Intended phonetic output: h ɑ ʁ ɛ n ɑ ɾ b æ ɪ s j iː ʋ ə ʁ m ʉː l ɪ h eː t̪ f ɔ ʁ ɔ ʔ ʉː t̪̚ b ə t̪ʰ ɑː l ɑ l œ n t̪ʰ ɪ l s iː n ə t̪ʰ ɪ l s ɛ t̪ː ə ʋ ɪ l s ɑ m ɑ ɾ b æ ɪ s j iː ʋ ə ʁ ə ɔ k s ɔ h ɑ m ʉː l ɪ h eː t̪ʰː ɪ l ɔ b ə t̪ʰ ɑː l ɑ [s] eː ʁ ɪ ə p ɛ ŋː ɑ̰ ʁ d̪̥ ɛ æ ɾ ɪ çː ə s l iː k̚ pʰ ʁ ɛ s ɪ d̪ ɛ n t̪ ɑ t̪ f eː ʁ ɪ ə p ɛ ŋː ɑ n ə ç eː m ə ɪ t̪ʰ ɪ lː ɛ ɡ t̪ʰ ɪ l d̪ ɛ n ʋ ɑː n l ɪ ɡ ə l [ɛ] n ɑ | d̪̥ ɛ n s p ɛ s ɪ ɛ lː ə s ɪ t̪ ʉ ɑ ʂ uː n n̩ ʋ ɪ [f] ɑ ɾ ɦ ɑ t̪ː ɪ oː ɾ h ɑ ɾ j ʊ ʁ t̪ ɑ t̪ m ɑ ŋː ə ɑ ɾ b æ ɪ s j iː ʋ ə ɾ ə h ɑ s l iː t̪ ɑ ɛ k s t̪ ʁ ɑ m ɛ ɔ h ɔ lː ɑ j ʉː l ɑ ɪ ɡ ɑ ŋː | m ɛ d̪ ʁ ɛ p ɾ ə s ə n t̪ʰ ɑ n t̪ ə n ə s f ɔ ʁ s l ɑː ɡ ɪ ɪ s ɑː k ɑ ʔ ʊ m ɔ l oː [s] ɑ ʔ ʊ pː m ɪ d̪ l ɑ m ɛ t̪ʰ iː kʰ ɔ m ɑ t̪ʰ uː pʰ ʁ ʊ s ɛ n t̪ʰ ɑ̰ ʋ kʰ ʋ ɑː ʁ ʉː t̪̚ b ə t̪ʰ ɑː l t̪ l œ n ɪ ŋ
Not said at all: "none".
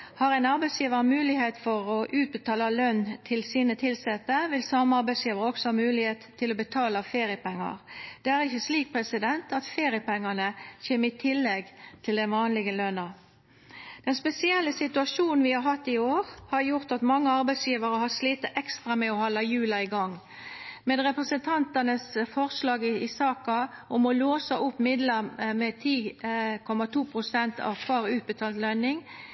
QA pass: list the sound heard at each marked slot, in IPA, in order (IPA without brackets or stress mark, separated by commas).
f, œ, h, s